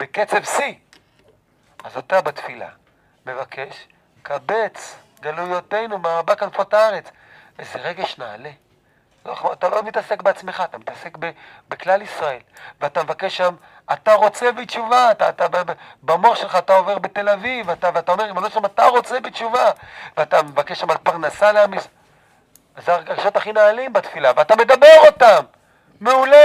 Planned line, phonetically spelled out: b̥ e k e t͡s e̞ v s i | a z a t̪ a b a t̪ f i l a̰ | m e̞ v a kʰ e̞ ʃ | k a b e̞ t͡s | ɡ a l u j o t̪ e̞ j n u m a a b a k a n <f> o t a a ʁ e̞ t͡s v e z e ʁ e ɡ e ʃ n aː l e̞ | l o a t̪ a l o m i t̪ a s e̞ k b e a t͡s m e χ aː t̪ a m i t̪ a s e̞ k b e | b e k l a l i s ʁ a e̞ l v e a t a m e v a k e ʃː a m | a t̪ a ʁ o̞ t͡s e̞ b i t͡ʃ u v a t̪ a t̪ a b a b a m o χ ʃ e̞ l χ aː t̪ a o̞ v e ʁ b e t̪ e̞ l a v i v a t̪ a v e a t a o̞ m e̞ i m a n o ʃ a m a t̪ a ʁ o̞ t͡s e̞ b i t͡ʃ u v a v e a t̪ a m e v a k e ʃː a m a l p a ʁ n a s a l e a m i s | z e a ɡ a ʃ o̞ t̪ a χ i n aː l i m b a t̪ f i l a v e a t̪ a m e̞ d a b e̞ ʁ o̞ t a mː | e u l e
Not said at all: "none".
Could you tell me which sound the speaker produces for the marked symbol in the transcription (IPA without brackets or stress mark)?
f